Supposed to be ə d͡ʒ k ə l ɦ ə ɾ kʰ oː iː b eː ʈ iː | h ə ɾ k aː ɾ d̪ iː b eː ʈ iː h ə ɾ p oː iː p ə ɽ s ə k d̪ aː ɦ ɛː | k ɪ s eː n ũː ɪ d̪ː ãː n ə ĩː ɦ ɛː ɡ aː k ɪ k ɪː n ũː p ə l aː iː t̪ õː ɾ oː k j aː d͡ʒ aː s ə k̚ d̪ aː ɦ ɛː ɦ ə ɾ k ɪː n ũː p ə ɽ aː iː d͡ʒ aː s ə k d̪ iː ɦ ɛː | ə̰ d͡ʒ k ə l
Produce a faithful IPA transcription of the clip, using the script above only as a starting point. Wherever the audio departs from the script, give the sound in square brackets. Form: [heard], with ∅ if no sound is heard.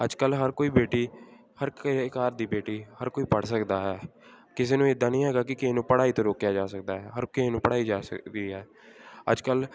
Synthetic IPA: ə d͡ʒ k ə l ɦ ə ɾ [k] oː iː b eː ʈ iː | h ə ɾ k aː ɾ d̪ iː b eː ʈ iː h ə ɾ [k] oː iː p ə ɽ s ə k d̪ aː ɦ ɛː | k ɪ s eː n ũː ɪ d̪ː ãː n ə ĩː ɦ ɛː ɡ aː k ɪ k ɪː n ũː p ə [ɽ] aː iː t̪ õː ɾ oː k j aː d͡ʒ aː s ə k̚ d̪ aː ɦ ɛː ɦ ə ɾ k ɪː n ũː p ə ɽ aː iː d͡ʒ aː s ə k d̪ iː ɦ ɛː | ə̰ d͡ʒ k ə l